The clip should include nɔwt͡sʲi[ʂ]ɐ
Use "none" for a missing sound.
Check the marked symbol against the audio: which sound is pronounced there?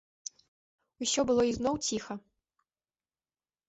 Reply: x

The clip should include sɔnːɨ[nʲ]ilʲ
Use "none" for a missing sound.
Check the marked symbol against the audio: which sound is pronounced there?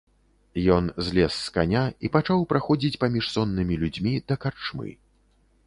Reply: mʲ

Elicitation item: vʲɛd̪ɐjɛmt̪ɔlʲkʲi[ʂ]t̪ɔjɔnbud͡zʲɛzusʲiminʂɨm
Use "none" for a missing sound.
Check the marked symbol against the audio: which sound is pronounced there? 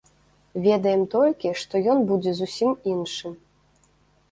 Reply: ʂ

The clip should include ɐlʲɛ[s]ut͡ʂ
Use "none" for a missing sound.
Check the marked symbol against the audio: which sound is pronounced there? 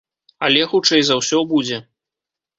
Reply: x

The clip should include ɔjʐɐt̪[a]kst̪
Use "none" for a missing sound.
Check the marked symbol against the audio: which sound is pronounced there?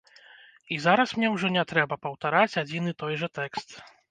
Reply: ɛ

